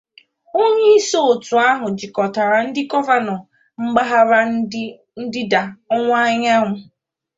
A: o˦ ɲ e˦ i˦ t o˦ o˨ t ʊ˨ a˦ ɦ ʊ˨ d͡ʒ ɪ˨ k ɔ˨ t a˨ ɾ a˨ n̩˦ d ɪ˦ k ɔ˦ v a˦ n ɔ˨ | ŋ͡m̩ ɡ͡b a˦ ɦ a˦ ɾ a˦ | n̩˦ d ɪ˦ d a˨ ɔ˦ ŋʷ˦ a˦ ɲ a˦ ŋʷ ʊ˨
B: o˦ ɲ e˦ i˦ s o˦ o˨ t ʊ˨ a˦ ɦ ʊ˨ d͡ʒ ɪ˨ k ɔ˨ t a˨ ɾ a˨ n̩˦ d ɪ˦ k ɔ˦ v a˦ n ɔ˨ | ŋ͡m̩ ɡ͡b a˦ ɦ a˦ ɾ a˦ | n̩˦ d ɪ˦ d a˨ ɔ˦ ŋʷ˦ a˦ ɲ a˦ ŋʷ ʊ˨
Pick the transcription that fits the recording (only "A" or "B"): B